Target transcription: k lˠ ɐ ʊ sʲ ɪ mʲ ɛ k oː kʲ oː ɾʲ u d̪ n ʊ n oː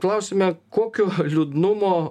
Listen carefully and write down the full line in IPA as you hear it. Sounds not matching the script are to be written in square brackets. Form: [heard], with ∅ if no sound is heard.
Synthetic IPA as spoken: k lˠ ɐ ʊ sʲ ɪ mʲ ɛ k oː kʲ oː [lʲ] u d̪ n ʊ [m] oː

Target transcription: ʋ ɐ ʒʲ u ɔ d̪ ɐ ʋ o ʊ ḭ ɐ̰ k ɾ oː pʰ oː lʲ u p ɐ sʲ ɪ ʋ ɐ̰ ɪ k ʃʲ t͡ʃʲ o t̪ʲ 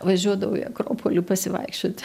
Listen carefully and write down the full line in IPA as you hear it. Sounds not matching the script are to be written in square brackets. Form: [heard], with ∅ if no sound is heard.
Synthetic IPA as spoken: ʋ ɐ ʒʲ u ɔ d̪ ɐ ʋ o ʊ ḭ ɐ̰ k ɾ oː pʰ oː lʲ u p ɐ sʲ ɪ ʋ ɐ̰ ɪ k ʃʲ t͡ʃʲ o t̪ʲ

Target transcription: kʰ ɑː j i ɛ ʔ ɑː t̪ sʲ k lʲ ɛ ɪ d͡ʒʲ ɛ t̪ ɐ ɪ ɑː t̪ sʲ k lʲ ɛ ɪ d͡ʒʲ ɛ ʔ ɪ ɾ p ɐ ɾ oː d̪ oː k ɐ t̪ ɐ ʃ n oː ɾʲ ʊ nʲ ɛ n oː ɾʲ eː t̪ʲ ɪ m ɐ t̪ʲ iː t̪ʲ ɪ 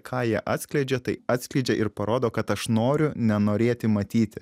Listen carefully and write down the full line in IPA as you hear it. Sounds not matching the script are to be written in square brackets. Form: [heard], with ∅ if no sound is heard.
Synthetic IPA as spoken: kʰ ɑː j i ɛ ʔ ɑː t̪ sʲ k lʲ ɛ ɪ d͡ʒʲ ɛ t̪ ɐ ɪ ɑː t̪ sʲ k lʲ ɛ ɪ d͡ʒʲ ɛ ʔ ɪ ɾ p ɐ ɾ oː d̪ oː k ɐ t̪ ɐ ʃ n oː ɾʲ ʊ nʲ ɛ n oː ɾʲ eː t̪ʲ ɪ m ɐ t̪ʲ iː t̪ʲ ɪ

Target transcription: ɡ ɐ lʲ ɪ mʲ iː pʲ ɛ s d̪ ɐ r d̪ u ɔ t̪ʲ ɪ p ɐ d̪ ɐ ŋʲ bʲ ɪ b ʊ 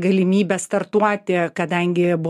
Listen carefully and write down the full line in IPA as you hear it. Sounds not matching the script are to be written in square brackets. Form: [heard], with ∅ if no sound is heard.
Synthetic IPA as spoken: ɡ ɐ lʲ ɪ mʲ iː [bʲ] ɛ s [t̪] ɐ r [t̪] u ɔ t̪ʲ ɪ [k] ɐ d̪ ɐ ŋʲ [ɡʲ] ɪ b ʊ

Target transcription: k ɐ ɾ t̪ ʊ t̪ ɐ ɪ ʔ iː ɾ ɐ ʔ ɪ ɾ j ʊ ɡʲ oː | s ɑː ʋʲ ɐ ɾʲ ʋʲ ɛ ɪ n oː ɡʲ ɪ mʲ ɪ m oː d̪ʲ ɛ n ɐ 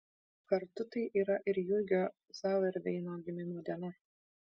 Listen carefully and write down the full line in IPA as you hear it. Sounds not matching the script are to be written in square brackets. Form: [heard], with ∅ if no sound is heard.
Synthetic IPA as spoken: k ɐ ɾ t̪ ʊ t̪ ɐ ɪ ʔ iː ɾ ɐ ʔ ɪ ɾ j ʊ ɡʲ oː | s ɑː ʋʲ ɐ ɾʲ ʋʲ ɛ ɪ n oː ɡʲ ɪ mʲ ɪ m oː d̪ʲ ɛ n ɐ

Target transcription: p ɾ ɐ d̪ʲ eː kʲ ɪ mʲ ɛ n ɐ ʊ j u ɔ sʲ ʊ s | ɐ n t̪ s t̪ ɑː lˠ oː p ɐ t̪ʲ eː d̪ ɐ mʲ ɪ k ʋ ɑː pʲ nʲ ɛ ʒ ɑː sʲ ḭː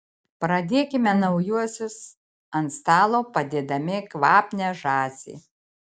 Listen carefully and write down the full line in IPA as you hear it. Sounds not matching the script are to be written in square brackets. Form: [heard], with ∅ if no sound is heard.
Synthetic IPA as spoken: p ɾ ɐ d̪ʲ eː kʲ ɪ mʲ ɛ n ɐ ʊ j u ɔ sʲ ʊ s | ɐ n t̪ s t̪ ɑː lˠ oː p ɐ [d̪ʲ] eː d̪ ɐ mʲ ɪ k ʋ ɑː pʲ nʲ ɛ ʒ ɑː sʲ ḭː

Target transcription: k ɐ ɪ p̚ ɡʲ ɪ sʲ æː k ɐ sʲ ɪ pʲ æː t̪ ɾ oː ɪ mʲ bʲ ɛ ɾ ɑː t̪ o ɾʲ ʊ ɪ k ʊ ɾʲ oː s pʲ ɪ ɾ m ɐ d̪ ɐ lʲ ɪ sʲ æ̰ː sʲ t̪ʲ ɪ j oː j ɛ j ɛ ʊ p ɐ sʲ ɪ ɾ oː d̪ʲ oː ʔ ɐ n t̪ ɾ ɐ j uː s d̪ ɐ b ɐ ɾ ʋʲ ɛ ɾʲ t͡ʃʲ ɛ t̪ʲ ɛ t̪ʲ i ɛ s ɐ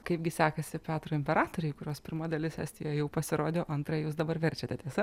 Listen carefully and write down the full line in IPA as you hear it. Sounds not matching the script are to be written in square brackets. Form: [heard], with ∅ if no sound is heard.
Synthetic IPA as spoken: k ɐ ɪ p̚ ɡʲ ɪ sʲ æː k ɐ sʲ ɪ pʲ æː t̪ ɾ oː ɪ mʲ [pʲ] ɛ ɾ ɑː t̪ o ɾʲ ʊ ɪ k ʊ ɾʲ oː s pʲ ɪ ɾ m ɐ d̪ ɐ lʲ ɪ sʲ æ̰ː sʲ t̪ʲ ɪ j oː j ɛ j ɛ ʊ p ɐ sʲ ɪ ɾ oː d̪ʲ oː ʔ ɐ n t̪ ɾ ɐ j uː s d̪ ɐ b ɐ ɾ ʋʲ ɛ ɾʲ t͡ʃʲ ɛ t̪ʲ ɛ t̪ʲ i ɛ s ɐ

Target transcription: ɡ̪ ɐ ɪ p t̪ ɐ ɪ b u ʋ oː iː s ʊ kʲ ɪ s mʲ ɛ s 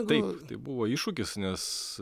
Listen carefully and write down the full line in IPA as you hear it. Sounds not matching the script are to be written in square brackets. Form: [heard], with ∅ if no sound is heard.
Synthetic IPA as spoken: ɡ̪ ɐ ɪ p t̪ ɐ ɪ b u ʋ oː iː [ʃ] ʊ kʲ ɪ s [nʲ] ɛ s

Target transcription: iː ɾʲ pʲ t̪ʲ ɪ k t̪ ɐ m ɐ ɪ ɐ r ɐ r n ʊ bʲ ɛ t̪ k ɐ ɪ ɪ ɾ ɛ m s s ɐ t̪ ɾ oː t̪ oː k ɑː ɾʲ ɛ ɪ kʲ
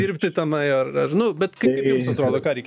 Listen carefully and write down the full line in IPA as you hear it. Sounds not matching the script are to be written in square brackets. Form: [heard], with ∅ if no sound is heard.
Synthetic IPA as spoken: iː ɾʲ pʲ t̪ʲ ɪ [∅] t̪ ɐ m ɐ ɪ ɐ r ɐ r n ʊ bʲ ɛ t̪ k ɐ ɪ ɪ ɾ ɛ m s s ɐ t̪ ɾ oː [d̪] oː k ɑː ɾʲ ɛ ɪ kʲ

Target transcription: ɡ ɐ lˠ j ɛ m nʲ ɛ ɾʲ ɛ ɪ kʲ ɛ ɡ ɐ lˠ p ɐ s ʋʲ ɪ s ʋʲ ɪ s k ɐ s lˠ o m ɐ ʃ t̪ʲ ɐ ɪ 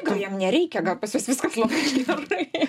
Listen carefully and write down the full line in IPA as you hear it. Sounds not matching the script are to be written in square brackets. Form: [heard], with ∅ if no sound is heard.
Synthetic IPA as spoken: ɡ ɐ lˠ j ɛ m nʲ ɛ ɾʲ ɛ ɪ kʲ ɛ ɡ ɐ lˠ p ɐ s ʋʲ ɪ s ʋʲ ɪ s k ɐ s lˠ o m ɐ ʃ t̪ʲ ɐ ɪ

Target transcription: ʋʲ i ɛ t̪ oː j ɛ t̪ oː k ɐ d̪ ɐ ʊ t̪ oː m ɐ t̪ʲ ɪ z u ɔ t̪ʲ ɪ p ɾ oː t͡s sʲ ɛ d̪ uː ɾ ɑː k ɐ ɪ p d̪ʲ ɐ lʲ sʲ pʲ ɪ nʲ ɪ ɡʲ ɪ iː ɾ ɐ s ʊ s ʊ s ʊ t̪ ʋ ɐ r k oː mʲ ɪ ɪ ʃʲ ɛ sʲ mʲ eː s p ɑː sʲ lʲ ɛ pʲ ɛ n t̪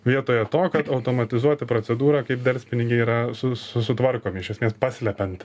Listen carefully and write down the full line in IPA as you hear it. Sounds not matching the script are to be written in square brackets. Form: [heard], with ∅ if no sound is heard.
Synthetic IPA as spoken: ʋʲ i ɛ t̪ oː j ɛ t̪ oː k ɐ [t̪] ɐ ʊ t̪ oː m ɐ t̪ʲ ɪ z u ɔ t̪ʲ ɪ p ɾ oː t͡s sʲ ɛ d̪ uː ɾ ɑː k ɐ ɪ p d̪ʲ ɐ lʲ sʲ pʲ ɪ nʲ ɪ ɡʲ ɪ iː ɾ ɐ s ʊ s ʊ s ʊ t̪ ʋ ɐ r k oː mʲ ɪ ɪ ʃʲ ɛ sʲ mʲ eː s p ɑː sʲ lʲ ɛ pʲ ɛ n t̪

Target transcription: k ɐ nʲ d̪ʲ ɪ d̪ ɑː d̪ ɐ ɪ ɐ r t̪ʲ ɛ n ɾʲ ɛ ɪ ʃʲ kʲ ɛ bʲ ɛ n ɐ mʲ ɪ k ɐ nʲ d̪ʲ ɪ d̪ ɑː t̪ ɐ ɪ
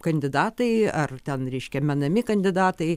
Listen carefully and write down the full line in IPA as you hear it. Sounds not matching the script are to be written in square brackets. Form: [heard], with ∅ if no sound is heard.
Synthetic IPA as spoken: k ɐ nʲ d̪ʲ ɪ d̪ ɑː [t̪] ɐ ɪ ɐ r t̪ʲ ɛ n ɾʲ ɛ ɪ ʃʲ kʲ ɛ [mʲ] ɛ n ɐ mʲ ɪ k ɐ nʲ d̪ʲ ɪ d̪ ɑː t̪ ɐ ɪ

